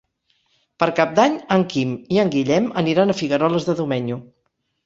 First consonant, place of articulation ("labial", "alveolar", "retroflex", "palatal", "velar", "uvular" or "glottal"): labial